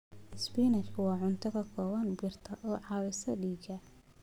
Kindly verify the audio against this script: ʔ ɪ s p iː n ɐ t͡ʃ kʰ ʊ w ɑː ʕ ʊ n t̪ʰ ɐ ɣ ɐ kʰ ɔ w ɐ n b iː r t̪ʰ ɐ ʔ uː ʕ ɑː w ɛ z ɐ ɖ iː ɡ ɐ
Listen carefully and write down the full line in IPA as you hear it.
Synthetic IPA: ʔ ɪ s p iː n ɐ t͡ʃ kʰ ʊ w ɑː ʕ ʊ n t̪ʰ ɐ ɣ ɐ kʰ ɔː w ɐ n b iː r t̪ʰ ɐ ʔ ɔː ʕ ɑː w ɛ s ɐ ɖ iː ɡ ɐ